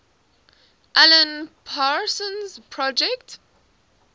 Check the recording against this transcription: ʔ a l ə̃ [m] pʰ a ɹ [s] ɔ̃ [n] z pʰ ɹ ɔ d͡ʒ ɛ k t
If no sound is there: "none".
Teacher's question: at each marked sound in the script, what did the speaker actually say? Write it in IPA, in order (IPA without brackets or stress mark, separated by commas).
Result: n, s, n